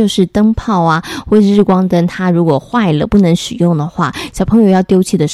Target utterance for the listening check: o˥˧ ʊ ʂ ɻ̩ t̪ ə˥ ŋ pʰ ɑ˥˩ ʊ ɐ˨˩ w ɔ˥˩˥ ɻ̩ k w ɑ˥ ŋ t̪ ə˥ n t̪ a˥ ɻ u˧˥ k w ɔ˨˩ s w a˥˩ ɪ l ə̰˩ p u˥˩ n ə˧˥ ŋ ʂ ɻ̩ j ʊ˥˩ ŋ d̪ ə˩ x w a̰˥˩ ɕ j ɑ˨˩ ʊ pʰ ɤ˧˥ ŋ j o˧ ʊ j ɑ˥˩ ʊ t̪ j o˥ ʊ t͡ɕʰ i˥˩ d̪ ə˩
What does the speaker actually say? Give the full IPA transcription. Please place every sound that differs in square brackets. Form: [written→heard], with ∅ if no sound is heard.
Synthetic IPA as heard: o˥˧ ʊ ʂ ɻ̩ t̪ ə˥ ŋ pʰ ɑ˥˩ ʊ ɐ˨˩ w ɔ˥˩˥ ɻ̩ k w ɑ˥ ŋ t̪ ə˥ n [t̪→t̪ʰ] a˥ ɻ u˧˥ k w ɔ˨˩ [s→x] w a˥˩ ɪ l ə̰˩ p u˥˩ n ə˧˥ ŋ ʂ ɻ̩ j ʊ˥˩ ŋ d̪ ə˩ x w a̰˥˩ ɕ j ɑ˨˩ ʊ pʰ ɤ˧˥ ŋ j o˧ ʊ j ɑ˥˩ ʊ t̪ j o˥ ʊ t͡ɕʰ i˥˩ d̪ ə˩